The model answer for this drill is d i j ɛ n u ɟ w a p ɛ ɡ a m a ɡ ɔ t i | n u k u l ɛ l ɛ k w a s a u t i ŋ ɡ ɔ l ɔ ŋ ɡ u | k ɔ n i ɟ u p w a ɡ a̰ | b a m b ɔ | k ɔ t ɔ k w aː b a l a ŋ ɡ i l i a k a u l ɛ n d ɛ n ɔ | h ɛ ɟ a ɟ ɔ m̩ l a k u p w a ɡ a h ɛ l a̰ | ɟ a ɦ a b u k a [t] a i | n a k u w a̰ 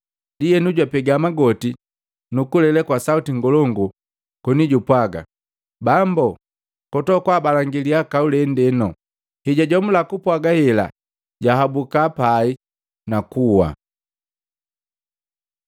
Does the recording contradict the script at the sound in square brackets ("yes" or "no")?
yes